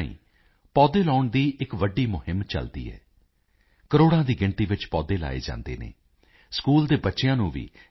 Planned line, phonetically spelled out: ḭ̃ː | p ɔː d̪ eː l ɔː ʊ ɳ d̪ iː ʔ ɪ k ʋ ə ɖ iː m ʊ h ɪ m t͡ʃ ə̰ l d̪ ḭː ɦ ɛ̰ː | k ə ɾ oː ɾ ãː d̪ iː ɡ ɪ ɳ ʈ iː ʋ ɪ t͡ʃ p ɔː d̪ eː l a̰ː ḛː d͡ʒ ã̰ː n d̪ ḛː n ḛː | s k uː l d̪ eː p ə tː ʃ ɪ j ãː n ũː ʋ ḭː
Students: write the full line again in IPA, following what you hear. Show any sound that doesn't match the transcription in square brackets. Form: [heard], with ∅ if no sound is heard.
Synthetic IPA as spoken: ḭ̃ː | p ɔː d̪ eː l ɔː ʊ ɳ d̪ iː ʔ ɪ k ʋ ə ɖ iː m ʊ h ɪ m t͡ʃ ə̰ l d̪ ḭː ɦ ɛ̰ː | k ə ɾ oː [ɽ] ãː d̪ iː ɡ ɪ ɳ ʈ iː ʋ ɪ t͡ʃ p ɔː d̪ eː l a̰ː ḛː d͡ʒ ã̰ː n d̪ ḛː n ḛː | s k uː l d̪ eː [b] ə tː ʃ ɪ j ãː n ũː ʋ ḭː